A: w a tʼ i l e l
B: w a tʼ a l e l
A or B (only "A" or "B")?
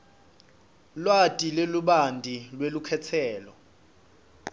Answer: A